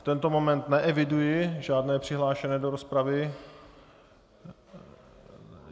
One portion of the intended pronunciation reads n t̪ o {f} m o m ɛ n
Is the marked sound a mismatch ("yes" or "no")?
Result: yes